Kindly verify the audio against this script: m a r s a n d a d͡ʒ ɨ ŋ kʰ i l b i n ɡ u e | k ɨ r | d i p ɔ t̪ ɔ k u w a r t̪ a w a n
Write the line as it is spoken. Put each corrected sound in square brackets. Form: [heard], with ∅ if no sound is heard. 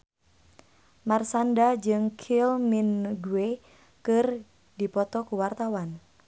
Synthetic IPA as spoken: m a r s a n d a d͡ʒ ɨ ŋ kʰ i l [m] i n ɡ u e | k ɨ r | d i p ɔ t̪ ɔ k u w a r t̪ a w a n